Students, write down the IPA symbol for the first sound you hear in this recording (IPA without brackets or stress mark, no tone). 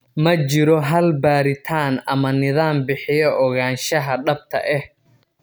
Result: m